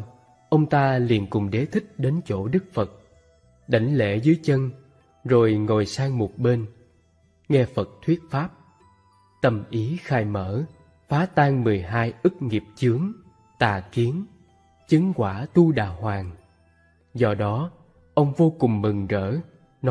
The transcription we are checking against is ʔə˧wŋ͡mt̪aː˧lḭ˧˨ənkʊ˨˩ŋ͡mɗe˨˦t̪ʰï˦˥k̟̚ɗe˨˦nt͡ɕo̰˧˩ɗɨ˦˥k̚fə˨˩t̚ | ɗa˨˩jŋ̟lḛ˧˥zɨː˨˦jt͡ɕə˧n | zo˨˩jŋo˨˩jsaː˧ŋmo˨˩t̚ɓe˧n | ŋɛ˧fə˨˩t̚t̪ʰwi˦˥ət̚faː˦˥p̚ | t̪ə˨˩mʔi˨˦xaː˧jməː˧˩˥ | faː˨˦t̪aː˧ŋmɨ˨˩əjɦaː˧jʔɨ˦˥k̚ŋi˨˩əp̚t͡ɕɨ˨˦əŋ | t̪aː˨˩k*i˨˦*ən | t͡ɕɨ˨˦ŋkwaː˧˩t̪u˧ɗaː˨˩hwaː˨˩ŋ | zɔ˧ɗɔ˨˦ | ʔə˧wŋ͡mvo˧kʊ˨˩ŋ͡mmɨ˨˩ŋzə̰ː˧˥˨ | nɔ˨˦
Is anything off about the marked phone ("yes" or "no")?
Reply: no